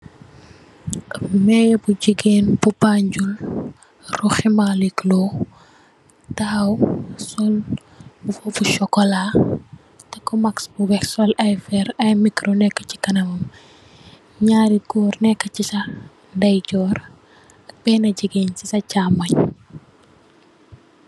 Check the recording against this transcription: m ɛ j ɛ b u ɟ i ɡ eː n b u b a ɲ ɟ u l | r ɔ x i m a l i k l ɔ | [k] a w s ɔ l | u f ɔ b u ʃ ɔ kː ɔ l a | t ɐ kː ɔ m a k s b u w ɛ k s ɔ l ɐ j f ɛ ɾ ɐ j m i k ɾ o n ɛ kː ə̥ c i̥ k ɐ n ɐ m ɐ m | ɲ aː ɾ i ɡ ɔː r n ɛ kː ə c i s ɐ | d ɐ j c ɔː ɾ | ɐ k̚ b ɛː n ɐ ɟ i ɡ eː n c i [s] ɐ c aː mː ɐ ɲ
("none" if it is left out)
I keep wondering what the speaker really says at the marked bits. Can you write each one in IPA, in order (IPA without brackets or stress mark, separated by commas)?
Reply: t, s